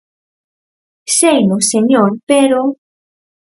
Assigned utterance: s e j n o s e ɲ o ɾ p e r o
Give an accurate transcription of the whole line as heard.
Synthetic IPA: s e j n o s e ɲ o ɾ p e ɾ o